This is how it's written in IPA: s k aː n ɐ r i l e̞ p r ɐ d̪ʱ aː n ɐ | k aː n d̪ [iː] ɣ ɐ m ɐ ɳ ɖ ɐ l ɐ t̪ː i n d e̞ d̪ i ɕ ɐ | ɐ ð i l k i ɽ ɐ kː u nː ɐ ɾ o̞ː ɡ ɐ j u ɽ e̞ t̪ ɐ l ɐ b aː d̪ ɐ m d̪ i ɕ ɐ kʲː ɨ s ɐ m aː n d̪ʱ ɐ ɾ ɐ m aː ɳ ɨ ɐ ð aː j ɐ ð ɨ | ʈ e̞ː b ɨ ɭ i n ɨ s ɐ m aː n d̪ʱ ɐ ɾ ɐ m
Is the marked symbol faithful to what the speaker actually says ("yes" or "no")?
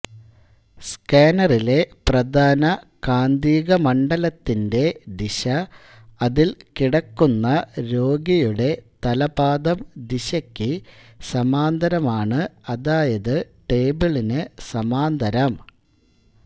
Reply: yes